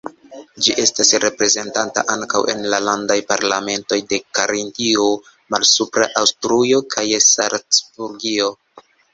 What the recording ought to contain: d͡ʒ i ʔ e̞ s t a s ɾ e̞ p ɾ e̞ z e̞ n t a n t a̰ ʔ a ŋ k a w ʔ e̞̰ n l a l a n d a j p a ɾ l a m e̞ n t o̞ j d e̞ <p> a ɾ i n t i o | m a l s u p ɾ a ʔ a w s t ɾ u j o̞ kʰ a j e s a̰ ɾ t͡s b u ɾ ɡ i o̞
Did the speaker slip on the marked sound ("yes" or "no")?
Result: yes